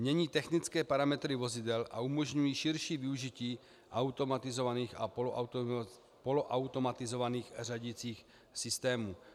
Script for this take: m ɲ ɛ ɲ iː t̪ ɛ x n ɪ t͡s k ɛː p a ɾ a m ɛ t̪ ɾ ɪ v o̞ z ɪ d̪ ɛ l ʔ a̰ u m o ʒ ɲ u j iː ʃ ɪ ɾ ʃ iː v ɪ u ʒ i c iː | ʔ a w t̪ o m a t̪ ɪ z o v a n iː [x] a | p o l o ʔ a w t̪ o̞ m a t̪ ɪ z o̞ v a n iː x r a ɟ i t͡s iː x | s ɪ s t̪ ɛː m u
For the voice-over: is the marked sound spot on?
yes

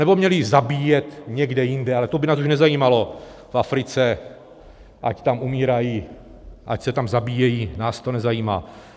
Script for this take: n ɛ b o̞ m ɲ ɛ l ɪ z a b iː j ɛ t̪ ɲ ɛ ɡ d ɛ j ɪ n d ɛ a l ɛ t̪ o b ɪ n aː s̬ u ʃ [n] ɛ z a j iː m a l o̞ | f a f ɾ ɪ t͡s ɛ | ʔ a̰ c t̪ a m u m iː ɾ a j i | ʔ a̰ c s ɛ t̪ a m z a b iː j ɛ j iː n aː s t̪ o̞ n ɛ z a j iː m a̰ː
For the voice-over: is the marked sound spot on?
yes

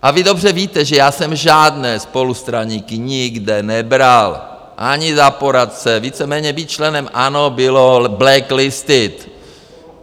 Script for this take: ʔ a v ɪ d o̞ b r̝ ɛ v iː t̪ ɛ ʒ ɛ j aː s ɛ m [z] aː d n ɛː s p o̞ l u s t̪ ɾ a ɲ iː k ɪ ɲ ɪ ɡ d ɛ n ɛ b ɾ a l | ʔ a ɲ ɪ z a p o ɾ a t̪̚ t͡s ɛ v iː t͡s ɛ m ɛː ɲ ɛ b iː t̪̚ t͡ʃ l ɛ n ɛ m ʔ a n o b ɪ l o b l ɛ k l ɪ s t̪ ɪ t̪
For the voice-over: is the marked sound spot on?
no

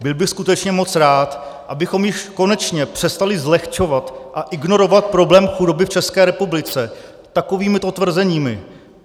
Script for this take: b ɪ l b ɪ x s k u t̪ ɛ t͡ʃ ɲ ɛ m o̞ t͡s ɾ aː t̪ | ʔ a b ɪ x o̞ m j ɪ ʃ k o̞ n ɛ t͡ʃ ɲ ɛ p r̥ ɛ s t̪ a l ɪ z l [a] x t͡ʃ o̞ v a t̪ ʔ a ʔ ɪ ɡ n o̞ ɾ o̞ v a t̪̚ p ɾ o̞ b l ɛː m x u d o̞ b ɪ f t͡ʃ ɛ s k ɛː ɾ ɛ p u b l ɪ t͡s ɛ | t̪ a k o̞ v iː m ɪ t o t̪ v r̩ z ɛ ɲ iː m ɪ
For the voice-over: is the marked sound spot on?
no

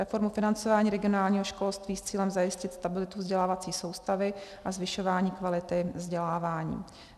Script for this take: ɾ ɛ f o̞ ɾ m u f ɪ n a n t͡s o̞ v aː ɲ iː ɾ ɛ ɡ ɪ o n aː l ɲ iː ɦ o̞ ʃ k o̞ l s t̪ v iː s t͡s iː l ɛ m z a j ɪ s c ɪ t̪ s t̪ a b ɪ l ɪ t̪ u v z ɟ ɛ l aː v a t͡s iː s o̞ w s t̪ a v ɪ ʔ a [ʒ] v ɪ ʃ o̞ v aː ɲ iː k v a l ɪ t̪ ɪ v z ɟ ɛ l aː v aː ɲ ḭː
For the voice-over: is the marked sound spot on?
no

